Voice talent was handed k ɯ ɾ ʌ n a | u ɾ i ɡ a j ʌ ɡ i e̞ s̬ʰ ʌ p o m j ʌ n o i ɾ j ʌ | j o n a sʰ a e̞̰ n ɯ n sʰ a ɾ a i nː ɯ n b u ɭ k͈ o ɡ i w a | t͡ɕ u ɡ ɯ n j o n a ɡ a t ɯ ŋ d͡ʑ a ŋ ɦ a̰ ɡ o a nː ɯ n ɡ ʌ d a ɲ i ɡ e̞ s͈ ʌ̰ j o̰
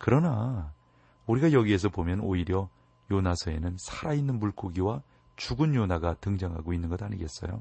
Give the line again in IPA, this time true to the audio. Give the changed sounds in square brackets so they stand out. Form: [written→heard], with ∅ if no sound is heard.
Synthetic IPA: k ɯ ɾ ʌ n a | u ɾ i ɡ a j ʌ ɡ i e̞ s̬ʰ ʌ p o m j ʌ n o i ɾ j ʌ | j o n a sʰ [a→ʌ] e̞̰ n ɯ n sʰ a ɾ a i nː ɯ n [b→m] u ɭ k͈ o ɡ i w a | t͡ɕ u ɡ ɯ n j o n a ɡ a t ɯ ŋ d͡ʑ a ŋ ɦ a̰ ɡ o [a→i] nː ɯ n ɡ ʌ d a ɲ i ɡ e̞ s͈ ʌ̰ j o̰